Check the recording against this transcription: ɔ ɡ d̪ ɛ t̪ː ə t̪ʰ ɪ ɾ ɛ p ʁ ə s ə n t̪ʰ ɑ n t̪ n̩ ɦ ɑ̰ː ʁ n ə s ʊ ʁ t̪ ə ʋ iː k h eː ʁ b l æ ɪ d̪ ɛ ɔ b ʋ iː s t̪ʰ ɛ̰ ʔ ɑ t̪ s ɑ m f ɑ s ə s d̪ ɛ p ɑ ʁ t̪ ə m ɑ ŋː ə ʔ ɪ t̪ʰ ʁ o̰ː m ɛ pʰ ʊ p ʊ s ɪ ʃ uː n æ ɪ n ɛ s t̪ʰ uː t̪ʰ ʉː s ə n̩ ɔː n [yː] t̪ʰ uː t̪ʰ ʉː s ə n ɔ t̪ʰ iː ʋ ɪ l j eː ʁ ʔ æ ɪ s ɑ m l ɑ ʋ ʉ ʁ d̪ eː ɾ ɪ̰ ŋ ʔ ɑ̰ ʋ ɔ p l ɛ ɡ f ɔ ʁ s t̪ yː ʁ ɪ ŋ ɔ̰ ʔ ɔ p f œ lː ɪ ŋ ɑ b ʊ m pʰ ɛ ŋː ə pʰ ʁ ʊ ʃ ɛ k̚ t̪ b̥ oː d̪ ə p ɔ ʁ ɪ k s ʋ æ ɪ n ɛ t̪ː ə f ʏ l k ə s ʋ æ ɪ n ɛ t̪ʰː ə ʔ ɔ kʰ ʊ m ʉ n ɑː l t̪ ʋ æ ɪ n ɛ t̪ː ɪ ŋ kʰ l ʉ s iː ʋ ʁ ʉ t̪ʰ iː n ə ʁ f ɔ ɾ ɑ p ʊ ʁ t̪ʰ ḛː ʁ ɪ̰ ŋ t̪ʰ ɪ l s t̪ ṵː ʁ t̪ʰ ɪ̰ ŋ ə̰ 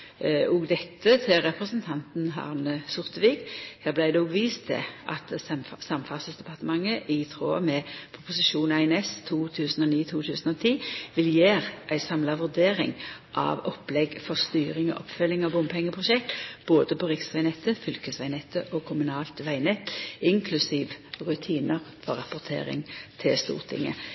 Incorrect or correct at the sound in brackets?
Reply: incorrect: iː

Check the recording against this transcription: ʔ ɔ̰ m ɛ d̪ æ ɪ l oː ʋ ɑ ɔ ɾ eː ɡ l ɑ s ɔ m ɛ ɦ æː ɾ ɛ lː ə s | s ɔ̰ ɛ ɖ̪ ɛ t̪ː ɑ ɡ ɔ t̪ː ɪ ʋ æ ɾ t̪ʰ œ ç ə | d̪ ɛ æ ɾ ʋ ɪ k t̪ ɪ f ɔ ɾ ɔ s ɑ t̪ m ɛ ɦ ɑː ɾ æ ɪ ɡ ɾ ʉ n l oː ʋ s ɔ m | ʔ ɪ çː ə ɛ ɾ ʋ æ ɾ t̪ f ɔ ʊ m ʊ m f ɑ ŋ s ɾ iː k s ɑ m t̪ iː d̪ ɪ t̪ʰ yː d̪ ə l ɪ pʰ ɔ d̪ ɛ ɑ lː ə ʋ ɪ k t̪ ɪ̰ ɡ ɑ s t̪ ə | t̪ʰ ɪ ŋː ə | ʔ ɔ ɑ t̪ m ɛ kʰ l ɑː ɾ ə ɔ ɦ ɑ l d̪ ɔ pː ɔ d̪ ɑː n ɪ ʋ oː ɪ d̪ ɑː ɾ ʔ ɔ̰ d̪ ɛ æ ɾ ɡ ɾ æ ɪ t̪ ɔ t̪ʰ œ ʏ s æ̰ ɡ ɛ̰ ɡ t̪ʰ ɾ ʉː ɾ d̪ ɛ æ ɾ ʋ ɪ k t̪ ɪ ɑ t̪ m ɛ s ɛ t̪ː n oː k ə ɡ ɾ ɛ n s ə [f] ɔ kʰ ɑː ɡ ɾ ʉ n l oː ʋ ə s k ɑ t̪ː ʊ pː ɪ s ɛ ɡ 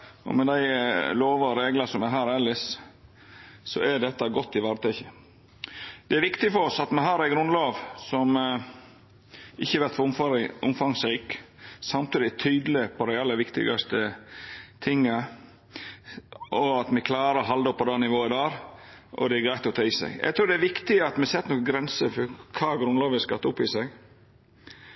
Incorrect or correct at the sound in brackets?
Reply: correct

